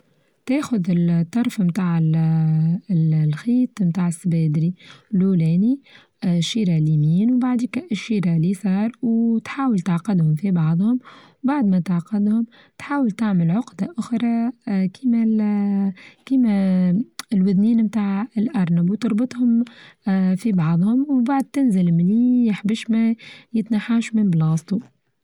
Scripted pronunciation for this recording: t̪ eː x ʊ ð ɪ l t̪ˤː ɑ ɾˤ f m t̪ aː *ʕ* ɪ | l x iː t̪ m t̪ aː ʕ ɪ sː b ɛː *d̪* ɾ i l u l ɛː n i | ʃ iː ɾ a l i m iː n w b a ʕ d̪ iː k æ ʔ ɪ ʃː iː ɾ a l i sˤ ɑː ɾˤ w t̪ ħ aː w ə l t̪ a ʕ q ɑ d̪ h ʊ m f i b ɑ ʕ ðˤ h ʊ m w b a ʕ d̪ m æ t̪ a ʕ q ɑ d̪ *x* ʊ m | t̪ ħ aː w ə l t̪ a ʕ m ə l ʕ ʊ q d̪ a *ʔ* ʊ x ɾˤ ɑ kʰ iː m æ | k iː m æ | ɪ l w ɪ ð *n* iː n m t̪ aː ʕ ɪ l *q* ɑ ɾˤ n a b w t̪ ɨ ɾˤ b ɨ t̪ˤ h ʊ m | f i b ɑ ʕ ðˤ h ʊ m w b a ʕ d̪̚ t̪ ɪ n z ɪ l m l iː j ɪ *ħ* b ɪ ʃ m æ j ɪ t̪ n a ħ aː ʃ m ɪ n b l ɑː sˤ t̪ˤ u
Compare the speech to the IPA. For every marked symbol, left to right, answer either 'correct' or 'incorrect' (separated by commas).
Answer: correct, correct, incorrect, correct, correct, incorrect, correct